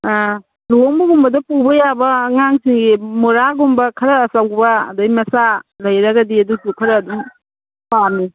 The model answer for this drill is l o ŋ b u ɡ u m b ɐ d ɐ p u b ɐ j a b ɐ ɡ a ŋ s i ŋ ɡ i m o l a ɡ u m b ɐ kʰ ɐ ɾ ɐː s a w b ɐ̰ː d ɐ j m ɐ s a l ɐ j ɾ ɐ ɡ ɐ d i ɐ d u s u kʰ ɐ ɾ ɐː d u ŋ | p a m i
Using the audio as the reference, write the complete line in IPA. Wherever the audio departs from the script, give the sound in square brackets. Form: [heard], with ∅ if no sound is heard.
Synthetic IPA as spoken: l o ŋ b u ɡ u m b ɐ d ɐ p u b ɐ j a b ɐ [ŋ] a ŋ s i ŋ ɡ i m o [ɾ] a ɡ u m b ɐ kʰ ɐ ɾ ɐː s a w b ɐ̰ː d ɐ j m ɐ s a l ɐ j ɾ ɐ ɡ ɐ d i ɐ d u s u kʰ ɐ ɾ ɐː d u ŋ | p a m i